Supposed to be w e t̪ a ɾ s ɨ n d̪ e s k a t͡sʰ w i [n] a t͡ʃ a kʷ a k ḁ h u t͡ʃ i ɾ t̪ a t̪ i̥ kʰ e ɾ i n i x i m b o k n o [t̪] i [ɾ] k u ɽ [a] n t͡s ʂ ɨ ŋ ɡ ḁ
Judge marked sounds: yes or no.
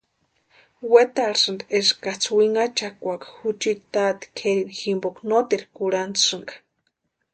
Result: no, yes, yes, yes

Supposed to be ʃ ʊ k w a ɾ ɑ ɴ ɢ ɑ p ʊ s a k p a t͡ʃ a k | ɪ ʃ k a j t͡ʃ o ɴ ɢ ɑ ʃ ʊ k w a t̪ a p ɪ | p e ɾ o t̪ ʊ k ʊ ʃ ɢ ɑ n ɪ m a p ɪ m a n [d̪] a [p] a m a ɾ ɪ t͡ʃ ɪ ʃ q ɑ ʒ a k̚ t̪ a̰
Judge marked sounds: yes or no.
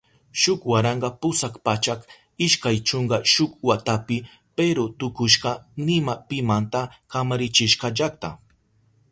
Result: no, no

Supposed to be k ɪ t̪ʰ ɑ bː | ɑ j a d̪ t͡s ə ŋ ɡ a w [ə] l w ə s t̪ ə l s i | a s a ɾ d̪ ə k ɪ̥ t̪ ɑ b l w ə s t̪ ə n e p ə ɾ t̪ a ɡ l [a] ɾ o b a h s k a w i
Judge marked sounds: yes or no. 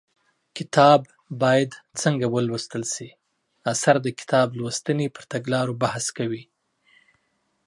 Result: yes, no

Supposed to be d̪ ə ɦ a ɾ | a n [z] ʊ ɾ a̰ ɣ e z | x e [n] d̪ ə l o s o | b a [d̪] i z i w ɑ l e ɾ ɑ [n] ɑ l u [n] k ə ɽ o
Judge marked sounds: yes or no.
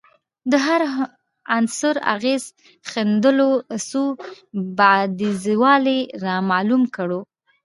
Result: no, yes, yes, no, no

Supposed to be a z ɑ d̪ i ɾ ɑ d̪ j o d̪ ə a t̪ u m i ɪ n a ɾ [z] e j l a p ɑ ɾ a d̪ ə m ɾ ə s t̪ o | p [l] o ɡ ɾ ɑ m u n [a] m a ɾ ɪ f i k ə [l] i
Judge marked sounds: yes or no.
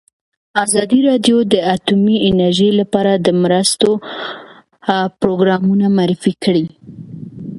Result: no, no, yes, no

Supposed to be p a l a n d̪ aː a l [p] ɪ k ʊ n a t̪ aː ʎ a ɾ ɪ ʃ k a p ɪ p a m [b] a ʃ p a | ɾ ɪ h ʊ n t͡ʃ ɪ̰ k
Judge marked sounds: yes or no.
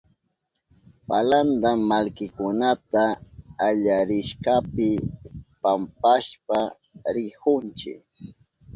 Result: no, no

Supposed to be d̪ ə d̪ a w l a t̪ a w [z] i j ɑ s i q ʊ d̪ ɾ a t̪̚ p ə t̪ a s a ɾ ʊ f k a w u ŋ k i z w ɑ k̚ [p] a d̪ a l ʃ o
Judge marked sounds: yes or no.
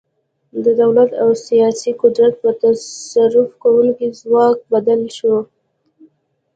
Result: no, no

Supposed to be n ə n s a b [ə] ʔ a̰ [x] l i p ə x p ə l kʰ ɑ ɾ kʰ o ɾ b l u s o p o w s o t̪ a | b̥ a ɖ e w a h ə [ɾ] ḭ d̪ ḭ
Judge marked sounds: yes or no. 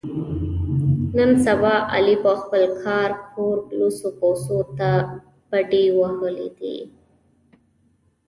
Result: no, no, no

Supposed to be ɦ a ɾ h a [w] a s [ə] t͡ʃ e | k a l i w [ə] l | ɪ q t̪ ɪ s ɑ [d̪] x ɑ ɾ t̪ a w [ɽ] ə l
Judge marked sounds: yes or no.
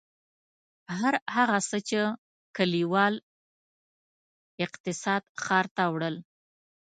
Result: no, yes, no, yes, yes

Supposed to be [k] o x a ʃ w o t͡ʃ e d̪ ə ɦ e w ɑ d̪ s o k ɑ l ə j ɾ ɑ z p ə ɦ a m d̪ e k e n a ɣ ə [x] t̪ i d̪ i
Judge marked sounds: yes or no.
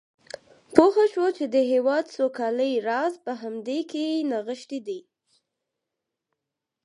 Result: no, no

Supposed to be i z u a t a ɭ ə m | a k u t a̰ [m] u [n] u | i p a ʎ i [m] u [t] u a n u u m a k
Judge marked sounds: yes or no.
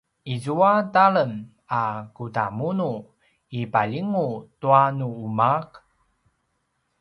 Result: yes, yes, no, yes

